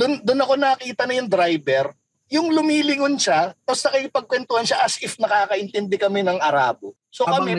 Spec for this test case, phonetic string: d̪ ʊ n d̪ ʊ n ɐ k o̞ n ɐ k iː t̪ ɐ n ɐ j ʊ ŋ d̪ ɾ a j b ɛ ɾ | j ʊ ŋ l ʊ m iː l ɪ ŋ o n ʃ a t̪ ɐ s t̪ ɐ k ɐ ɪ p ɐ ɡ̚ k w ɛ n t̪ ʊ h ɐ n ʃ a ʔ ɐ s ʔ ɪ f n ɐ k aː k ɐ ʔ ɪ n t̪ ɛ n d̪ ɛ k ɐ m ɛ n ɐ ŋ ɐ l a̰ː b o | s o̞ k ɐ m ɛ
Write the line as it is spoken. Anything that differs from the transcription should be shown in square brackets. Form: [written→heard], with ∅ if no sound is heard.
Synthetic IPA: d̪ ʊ n d̪ ʊ n ɐ k o̞ n ɐ k iː t̪ ɐ n ɐ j ʊ ŋ d̪ ɾ a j b ɛ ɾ | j ʊ ŋ l ʊ m iː l ɪ ŋ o n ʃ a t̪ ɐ s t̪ ɐ k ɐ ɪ p ɐ ɡ̚ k w ɛ n t̪ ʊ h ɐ n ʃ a ʔ ɐ s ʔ ɪ f n ɐ k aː k ɐ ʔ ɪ n t̪ ɛ n d̪ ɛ k ɐ m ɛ n ɐ ŋ ɐ [l→ɾ] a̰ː b o | s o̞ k ɐ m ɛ